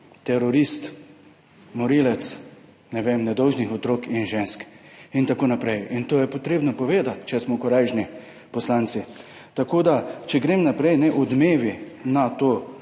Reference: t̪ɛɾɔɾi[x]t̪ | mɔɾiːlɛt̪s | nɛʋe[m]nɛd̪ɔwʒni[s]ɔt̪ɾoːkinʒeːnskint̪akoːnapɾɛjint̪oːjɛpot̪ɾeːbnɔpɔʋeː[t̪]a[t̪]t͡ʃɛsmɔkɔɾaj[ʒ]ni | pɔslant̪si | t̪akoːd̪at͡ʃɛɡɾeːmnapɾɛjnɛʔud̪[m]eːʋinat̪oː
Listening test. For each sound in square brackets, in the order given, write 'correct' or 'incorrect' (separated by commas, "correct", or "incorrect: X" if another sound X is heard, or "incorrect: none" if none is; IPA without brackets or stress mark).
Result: incorrect: s, correct, incorrect: x, incorrect: d̪, correct, correct, correct